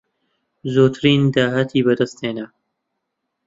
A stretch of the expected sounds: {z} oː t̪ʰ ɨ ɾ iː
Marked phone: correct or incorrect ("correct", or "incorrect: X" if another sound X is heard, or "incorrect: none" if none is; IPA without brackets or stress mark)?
correct